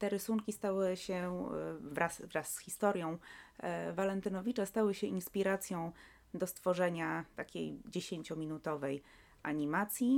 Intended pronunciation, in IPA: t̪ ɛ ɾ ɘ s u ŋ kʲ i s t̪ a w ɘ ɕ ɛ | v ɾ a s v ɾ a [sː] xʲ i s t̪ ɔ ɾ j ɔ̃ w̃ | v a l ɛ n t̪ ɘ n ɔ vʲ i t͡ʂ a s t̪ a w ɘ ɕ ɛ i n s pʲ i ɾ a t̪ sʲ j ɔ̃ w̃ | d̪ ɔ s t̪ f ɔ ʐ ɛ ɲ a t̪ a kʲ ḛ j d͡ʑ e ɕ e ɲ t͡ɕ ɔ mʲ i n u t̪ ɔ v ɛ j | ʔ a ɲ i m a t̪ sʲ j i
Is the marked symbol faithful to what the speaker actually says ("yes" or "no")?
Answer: yes